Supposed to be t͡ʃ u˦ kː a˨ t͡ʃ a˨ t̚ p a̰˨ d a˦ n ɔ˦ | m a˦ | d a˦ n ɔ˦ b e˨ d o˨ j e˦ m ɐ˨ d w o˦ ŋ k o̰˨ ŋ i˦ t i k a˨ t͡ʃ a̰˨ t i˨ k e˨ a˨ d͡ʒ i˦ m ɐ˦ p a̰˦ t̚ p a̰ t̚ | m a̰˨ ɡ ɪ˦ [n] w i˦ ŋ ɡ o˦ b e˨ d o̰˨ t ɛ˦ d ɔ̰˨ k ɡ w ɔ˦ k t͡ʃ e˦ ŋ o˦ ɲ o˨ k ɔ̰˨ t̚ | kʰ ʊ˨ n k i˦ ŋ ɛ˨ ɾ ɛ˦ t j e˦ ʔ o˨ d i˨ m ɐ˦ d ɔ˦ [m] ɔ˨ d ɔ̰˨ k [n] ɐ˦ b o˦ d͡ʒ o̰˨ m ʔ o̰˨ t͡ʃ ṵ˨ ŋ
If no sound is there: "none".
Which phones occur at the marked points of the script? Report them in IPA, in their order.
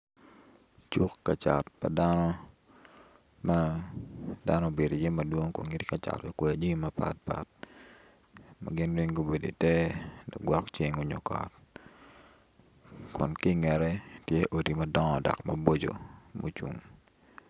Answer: n, ŋ, m

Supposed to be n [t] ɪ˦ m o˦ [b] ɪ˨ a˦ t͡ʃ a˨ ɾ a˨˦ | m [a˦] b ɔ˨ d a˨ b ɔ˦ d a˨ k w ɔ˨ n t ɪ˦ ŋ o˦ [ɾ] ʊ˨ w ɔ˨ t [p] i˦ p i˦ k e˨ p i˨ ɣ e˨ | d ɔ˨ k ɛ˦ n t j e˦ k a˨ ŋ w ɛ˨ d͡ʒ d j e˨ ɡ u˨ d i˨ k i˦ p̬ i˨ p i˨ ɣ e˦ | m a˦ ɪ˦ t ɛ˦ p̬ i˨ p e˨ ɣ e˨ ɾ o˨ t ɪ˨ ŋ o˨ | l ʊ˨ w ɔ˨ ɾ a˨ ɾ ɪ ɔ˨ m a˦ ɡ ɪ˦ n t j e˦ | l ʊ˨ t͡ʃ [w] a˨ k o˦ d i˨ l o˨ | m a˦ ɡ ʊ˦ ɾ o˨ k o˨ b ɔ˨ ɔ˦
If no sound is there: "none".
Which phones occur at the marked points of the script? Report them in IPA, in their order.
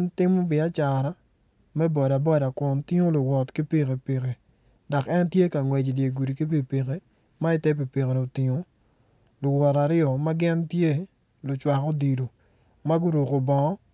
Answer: t, b, ɛ˦, l, k, w

